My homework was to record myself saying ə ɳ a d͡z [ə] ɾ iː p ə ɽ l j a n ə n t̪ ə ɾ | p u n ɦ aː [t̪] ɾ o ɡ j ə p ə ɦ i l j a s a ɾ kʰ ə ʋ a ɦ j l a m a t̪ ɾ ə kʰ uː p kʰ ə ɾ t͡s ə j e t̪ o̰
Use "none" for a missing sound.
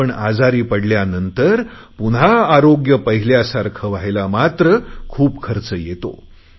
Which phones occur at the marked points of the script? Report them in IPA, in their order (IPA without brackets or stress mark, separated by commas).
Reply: a, none